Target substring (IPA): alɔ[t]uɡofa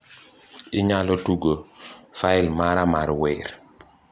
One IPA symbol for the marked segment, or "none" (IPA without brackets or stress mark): t